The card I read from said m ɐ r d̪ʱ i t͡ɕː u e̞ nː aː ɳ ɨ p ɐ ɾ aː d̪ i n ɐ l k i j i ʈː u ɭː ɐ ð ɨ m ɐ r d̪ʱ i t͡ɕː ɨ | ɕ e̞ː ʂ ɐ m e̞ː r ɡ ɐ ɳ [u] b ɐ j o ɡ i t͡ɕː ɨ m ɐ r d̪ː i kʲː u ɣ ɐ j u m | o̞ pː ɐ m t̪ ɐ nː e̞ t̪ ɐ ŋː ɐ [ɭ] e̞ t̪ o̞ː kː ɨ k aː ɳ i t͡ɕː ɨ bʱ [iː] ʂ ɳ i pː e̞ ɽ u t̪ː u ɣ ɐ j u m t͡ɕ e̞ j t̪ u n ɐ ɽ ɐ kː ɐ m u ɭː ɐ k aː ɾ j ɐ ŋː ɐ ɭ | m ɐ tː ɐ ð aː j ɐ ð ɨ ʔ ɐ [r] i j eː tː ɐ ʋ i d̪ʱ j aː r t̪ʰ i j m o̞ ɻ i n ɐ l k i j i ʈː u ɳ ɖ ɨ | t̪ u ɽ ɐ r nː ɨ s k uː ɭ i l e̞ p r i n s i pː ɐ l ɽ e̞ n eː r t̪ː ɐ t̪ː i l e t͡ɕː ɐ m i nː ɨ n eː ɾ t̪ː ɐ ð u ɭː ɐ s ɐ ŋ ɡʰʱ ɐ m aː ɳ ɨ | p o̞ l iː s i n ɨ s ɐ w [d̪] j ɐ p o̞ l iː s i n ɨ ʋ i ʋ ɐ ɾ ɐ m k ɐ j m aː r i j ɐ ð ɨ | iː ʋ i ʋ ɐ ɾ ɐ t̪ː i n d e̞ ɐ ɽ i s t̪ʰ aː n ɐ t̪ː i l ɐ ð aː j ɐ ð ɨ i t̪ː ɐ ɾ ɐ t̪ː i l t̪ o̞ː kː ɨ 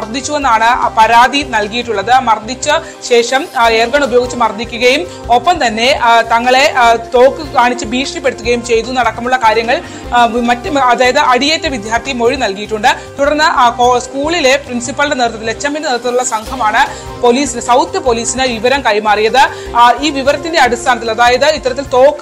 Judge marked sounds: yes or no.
yes, yes, yes, no, no

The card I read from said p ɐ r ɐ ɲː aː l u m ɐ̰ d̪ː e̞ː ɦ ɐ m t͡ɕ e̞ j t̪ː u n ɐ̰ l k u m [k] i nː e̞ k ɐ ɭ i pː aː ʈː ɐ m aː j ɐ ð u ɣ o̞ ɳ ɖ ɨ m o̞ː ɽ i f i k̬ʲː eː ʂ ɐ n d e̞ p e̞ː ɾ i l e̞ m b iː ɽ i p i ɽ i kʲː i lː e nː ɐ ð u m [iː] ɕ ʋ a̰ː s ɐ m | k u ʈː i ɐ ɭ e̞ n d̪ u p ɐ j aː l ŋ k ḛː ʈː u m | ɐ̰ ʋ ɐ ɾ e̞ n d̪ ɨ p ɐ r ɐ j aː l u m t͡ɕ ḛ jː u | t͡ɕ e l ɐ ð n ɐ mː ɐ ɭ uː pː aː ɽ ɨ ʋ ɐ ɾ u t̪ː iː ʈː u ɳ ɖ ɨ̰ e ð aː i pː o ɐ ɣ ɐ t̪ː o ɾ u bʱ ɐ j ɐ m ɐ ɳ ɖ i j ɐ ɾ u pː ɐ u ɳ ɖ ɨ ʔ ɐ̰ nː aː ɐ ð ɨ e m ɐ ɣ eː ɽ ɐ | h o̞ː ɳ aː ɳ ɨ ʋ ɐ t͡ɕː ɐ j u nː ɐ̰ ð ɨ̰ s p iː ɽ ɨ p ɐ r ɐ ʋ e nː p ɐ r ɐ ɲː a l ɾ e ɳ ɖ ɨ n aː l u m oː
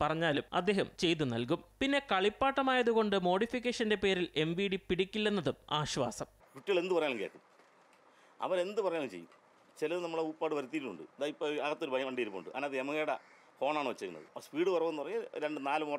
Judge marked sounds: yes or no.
no, no

